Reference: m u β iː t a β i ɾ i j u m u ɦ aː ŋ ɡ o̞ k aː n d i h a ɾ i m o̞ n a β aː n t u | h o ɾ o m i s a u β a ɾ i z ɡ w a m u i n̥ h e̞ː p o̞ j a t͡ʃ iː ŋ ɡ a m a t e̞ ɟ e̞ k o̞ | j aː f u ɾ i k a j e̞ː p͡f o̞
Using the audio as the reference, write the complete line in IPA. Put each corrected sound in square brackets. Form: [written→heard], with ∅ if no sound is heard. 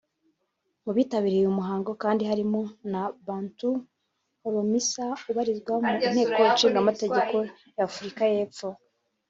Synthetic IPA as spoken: m u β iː t a β i ɾ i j u m u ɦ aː ŋ ɡ o̞ k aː n d i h a ɾ i m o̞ n a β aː n t u | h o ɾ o m i s a u β a ɾ i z ɡ w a m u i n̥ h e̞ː [p→k] o̞ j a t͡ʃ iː ŋ ɡ a m a t e̞ ɟ e̞ k o̞ | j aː f u ɾ i k a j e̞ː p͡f o̞